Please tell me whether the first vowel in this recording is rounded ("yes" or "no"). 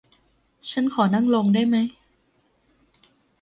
no